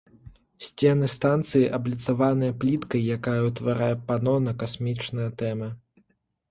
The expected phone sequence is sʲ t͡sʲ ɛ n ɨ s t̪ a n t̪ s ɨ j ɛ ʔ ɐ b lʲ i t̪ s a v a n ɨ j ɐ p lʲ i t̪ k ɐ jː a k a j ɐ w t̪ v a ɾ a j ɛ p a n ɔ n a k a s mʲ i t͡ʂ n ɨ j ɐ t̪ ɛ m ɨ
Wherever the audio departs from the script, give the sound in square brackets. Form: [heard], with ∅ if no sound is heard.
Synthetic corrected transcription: sʲ t͡sʲ ɛ n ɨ s t̪ a n t̪ s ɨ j [i] ʔ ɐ b lʲ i t̪ s a v a n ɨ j ɐ p lʲ i t̪ k ɐ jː a k a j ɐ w t̪ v a ɾ a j ɛ p a n ɔ n [ɐ] k a s mʲ i t͡ʂ n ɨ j ɐ t̪ ɛ m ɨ